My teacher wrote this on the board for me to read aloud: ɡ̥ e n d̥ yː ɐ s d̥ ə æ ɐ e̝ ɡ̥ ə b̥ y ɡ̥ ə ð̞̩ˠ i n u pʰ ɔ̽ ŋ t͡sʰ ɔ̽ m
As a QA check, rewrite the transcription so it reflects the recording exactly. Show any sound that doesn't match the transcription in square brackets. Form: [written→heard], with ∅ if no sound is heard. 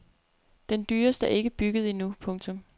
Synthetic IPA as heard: [ɡ̥→d̥] e n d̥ yː ɐ s d̥ ə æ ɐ e̝ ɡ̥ ə b̥ y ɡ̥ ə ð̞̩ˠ i n u pʰ ɔ̽ ŋ t͡sʰ ɔ̽ m